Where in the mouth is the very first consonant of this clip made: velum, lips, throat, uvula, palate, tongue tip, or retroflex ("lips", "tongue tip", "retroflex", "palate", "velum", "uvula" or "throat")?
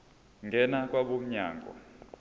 velum